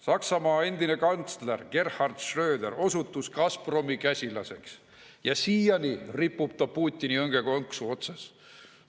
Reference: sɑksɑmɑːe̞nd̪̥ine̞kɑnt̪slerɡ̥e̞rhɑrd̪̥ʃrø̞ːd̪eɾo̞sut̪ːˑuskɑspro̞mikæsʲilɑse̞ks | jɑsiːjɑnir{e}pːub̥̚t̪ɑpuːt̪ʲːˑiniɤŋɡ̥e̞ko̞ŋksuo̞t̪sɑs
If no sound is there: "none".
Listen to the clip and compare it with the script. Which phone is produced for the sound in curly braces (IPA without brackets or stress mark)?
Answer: i